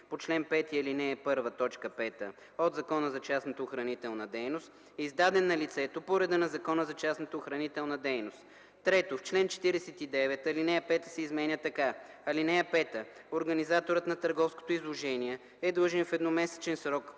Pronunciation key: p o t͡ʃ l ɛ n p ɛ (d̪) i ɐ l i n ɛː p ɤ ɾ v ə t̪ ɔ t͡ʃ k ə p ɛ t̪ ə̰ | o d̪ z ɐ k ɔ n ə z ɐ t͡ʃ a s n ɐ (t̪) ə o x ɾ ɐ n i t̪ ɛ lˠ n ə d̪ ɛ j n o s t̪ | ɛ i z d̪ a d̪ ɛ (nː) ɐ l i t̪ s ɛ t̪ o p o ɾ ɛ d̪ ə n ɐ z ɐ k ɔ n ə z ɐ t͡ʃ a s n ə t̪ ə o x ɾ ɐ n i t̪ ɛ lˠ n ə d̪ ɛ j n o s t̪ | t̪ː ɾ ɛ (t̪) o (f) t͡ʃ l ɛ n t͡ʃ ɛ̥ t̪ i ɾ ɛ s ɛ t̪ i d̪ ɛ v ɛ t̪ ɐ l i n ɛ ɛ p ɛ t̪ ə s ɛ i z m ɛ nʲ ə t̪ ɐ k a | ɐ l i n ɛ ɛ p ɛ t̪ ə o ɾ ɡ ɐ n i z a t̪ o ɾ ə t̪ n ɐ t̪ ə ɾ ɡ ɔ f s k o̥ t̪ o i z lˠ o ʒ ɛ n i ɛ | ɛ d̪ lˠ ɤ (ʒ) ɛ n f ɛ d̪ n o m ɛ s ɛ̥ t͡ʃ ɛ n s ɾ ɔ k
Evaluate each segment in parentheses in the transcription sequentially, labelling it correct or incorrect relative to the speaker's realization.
incorrect: t̪, correct, correct, correct, correct, correct

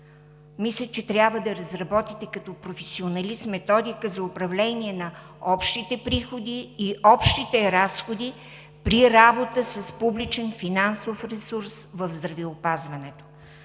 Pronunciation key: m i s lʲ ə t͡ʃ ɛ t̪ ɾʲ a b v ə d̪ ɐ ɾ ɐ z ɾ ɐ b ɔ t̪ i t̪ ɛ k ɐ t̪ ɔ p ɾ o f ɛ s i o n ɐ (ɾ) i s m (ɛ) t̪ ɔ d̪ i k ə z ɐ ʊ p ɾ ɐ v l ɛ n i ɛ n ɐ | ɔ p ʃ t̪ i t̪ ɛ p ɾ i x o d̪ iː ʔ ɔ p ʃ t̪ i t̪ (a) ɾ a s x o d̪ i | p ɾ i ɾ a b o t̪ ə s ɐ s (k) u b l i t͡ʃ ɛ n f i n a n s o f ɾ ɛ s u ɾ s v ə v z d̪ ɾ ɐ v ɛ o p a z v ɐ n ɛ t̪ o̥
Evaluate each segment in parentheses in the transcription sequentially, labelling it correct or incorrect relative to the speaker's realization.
incorrect: l, correct, incorrect: ɛ, incorrect: p

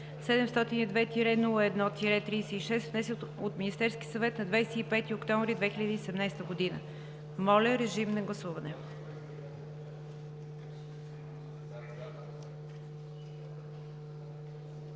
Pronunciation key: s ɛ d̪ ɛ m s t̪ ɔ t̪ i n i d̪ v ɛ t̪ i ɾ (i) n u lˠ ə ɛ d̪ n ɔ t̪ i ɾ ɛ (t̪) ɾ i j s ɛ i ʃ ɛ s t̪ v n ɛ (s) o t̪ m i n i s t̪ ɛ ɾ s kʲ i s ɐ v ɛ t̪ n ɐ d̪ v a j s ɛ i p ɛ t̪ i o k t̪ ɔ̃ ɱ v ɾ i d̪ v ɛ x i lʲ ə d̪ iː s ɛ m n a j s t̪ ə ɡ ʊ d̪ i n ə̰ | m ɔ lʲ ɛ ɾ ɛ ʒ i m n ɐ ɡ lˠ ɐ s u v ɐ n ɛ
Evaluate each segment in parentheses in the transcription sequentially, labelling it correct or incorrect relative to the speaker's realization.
incorrect: ɛ, correct, correct

